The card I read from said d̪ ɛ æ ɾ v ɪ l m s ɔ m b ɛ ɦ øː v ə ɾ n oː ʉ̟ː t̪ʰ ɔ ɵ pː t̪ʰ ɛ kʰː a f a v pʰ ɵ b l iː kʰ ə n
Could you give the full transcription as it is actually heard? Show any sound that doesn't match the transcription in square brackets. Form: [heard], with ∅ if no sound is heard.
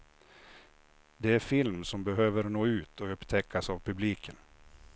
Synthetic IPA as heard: d̪ ɛ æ ɾ [f] ɪ l m s ɔ m b ɛ ɦ øː v ə ɾ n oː ʉ̟ː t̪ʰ ɔ ɵ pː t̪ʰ ɛ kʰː a [s] a v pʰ ɵ b l iː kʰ ə n